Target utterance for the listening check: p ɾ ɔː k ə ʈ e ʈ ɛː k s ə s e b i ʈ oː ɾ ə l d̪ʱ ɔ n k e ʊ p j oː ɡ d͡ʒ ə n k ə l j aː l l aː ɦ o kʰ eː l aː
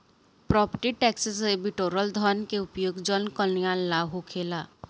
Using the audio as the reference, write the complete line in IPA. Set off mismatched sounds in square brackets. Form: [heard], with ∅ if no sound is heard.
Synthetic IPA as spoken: p ɾ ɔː [p] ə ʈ [i] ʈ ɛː k s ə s e b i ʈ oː ɾ ə l d̪ʱ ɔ n k e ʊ p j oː ɡ d͡ʒ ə n k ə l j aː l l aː ɦ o kʰ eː l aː